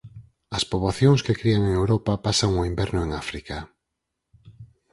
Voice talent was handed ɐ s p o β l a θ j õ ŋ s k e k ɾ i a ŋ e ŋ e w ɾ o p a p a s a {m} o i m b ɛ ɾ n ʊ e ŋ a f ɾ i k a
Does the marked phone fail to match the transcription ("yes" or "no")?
yes